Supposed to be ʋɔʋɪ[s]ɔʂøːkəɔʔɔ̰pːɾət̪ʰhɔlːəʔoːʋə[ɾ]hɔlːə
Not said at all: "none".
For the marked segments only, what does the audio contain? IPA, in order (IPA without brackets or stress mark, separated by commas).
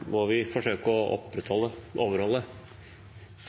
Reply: f, ɾ